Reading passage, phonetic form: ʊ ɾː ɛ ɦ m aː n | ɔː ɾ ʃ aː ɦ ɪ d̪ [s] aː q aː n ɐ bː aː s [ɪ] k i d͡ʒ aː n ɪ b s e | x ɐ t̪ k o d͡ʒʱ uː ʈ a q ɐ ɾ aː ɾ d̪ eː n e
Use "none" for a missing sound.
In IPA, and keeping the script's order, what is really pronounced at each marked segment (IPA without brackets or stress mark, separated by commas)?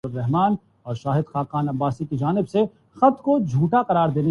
x, i